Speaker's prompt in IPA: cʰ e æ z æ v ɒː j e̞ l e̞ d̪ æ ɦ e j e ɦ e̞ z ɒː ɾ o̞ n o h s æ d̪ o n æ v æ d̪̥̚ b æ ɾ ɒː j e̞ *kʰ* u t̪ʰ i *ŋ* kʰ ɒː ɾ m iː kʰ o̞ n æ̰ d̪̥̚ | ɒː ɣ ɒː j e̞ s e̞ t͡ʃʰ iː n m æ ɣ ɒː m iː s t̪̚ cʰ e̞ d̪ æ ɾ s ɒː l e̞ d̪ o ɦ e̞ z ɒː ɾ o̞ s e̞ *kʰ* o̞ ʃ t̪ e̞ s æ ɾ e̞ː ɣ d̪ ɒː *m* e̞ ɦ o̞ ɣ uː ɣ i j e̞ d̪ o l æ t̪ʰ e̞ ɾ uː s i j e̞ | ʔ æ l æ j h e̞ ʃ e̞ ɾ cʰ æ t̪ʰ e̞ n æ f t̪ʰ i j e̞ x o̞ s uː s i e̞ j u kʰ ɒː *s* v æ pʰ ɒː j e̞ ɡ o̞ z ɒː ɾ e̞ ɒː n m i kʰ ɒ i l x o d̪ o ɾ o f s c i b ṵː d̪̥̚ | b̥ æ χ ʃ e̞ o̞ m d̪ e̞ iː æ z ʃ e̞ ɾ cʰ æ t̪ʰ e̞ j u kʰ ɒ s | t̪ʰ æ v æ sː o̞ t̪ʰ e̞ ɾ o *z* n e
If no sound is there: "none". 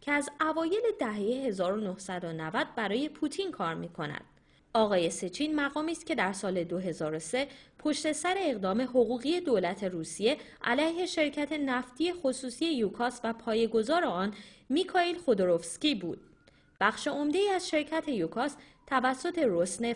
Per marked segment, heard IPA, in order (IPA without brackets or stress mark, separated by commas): pʰ, n, pʰ, m, s, s